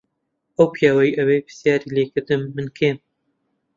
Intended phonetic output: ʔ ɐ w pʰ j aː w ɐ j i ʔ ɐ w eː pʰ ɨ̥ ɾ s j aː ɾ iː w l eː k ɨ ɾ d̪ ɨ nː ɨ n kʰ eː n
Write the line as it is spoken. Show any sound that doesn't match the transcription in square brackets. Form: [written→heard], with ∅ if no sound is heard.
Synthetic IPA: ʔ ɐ w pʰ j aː w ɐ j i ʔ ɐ w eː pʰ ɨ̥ [ɾ→∅] s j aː ɾ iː [w→∅] l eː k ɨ ɾ d̪ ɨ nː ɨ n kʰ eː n

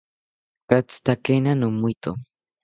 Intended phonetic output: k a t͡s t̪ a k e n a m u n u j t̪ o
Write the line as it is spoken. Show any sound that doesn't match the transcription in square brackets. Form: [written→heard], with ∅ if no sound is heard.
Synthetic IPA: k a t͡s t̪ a k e n a [m→n] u [n→m] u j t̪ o

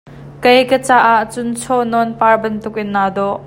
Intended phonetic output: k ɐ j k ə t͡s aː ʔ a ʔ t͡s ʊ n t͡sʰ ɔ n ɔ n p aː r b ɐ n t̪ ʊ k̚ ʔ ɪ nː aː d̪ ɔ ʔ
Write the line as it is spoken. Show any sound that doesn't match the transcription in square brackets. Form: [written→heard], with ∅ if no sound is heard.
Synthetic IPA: k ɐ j k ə t͡s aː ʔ a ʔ t͡s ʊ n t͡sʰ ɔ n ɔ n p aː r b ɐ n t̪ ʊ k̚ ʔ ɪ nː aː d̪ ɔ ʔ

